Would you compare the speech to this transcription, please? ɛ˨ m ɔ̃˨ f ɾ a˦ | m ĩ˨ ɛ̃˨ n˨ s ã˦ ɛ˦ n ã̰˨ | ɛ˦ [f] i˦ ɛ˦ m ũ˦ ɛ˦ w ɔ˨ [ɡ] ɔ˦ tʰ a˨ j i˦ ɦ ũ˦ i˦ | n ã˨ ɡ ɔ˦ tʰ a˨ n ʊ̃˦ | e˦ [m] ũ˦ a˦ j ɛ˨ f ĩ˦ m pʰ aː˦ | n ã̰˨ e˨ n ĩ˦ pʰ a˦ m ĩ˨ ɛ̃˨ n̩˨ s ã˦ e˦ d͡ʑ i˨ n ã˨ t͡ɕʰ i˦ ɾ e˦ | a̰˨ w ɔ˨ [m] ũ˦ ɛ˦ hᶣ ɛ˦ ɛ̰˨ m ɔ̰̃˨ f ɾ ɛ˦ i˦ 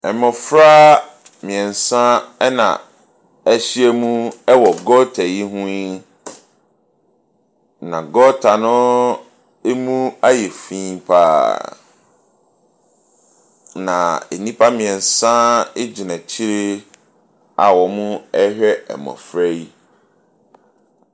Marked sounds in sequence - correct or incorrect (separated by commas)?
incorrect, correct, correct, correct